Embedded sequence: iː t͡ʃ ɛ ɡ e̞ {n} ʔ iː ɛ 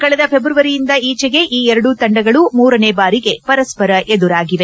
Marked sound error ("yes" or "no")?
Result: yes